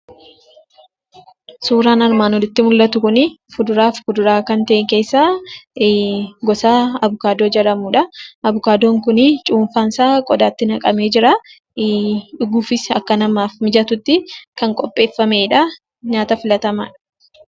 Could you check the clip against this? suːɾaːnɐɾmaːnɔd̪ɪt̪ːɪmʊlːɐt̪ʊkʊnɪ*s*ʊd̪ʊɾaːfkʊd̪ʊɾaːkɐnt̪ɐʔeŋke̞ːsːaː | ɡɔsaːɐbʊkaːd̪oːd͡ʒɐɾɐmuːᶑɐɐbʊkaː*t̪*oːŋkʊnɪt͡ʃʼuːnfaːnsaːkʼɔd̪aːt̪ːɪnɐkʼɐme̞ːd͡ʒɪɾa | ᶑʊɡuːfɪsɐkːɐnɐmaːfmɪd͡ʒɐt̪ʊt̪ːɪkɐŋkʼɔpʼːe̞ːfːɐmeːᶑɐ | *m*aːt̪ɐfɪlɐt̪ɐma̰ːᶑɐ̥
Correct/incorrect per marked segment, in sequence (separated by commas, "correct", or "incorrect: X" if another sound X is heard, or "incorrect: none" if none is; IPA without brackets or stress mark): incorrect: f, incorrect: d̪, incorrect: ɲ